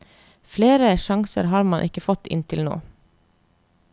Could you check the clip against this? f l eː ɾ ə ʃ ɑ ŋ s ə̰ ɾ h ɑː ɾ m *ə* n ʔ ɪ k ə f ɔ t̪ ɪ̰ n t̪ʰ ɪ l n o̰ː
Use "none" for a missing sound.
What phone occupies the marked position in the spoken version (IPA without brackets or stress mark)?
ɑ